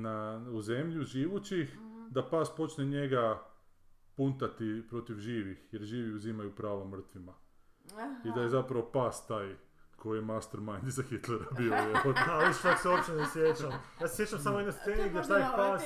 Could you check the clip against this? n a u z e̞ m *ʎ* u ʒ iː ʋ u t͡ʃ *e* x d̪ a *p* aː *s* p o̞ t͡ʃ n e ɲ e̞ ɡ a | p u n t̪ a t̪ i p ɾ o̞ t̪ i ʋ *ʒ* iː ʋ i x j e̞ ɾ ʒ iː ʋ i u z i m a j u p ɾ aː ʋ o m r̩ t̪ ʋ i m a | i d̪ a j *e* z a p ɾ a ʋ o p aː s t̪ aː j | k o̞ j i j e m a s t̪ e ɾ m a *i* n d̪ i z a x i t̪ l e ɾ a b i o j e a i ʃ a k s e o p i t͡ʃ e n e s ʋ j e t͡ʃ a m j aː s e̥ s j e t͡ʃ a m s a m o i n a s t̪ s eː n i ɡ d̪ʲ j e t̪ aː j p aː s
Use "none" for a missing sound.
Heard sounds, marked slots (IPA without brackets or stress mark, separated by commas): ʎ, i, p, s, ʒ, e, j